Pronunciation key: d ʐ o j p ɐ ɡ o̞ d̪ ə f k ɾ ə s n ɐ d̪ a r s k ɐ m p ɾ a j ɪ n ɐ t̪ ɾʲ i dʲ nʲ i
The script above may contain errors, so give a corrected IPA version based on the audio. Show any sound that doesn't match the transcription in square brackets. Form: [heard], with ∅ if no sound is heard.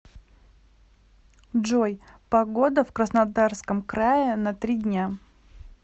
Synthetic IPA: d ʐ o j p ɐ ɡ o̞ d̪ ə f k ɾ ə s n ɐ d̪ a r s k [ə] m [k] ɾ a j ɪ n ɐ t̪ ɾʲ i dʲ nʲ [a]